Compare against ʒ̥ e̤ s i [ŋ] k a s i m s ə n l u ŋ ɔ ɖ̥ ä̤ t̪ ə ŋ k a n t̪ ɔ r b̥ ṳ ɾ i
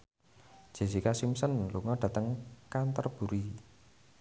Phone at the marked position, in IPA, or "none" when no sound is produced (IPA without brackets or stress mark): none